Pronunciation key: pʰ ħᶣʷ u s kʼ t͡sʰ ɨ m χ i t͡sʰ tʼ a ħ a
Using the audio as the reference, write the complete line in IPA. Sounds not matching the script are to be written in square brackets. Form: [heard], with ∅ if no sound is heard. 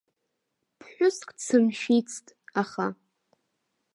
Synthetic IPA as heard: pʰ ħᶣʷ [ʊ] s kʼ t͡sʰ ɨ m [ʃ] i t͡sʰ tʼ a [χ] a